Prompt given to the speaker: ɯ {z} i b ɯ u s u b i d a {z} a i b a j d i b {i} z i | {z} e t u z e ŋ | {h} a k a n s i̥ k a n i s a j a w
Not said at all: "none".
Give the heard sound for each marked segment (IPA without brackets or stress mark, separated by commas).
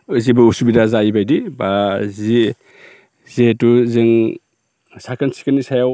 z, z, a, z, s